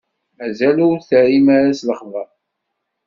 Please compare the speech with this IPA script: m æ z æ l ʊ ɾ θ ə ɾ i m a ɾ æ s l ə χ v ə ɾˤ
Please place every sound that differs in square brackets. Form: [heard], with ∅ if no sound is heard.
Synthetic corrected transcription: m æ z æ l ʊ ɾ θ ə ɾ i m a ɾ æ s l ə χ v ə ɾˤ